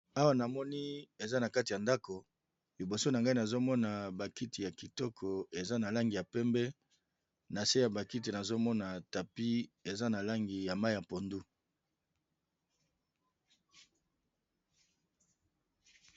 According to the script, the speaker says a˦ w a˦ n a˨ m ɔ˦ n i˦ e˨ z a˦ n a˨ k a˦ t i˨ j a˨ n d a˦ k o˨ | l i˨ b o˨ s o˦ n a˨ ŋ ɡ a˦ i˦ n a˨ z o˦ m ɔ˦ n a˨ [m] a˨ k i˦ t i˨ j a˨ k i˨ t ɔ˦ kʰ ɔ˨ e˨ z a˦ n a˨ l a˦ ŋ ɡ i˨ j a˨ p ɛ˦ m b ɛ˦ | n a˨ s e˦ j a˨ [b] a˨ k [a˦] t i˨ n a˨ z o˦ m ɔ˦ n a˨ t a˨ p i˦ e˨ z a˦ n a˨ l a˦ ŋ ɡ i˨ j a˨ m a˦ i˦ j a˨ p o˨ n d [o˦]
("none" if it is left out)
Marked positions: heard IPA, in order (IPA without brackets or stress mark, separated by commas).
b, b, i˦, u˦